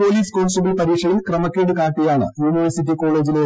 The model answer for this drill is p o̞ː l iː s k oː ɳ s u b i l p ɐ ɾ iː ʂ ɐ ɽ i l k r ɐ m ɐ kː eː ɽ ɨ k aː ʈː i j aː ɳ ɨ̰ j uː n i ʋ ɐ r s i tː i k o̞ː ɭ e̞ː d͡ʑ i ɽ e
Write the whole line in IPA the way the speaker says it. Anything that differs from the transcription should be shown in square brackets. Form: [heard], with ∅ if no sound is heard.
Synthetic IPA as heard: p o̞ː l iː s k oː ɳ s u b i l p ɐ ɾ iː ʂ ɐ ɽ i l k r ɐ m ɐ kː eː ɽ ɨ k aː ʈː i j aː ɳ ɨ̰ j uː n i ʋ ɐ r s i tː i k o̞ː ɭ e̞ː d͡ʑ i [l] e

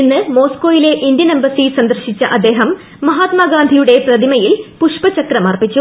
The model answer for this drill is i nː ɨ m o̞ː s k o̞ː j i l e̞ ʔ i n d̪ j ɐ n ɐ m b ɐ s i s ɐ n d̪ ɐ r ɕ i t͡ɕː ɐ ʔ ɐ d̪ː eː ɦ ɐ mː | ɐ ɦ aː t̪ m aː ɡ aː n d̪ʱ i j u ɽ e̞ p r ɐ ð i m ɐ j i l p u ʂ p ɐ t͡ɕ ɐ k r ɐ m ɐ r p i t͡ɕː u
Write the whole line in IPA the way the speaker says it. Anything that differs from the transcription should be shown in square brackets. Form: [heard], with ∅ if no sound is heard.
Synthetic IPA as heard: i nː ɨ m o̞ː s k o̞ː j i l e̞ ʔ i n d̪ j ɐ n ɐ m b ɐ s i s ɐ n d̪ ɐ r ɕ i t͡ɕː ɐ ʔ ɐ d̪ː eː ɦ ɐ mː | ɐ ɦ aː t̪ m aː ɡ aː n d̪ʱ i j u ɽ e̞ p r ɐ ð i m ɐ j i l p u ʂ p ɐ t͡ɕ ɐ k r ɐ m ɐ r p i t͡ɕː u

